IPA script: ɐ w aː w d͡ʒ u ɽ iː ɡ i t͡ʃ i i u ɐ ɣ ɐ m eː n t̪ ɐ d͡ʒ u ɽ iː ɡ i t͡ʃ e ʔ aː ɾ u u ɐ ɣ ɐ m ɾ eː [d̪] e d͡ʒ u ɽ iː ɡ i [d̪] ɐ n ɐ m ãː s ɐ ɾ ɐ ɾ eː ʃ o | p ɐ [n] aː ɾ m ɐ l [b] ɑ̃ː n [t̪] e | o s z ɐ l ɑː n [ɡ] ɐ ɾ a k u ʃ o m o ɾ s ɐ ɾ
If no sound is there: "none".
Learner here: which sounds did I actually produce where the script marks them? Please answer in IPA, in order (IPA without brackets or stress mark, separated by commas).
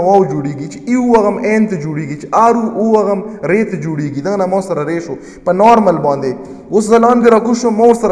t̪, d̪, n, b, d̪, ɡ